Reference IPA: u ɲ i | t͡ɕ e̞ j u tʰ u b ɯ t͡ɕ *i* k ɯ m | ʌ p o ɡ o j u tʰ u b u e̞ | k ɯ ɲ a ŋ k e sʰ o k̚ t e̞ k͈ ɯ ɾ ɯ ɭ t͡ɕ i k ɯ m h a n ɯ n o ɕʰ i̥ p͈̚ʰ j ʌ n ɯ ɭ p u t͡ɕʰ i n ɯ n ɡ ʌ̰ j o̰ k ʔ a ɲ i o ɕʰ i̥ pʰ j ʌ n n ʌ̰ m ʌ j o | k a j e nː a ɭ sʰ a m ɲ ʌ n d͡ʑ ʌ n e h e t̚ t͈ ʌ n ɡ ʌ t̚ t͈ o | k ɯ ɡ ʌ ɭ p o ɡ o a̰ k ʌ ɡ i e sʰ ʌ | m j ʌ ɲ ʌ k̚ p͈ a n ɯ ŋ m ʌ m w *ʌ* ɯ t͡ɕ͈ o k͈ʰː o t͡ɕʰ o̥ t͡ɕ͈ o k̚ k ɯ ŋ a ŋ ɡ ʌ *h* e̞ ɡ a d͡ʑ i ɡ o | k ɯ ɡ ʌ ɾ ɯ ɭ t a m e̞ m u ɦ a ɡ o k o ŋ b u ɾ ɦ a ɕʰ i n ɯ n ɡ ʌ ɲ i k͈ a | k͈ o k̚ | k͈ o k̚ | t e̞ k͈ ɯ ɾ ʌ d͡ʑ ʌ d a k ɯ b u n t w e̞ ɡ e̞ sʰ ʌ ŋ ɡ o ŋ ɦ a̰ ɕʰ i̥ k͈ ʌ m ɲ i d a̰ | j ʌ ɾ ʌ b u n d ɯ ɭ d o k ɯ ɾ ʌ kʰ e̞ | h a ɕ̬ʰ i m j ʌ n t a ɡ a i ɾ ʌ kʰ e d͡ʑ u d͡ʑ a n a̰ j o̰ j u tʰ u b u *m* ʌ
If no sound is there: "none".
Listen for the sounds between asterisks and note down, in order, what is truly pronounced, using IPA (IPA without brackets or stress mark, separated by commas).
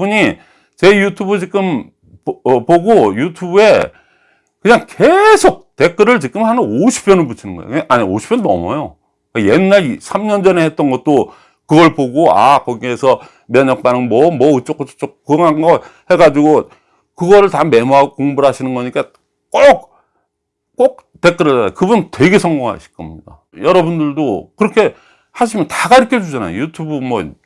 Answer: i, ʌ, h, m